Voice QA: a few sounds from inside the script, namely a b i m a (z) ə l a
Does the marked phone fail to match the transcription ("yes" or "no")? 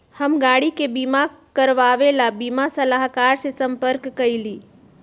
yes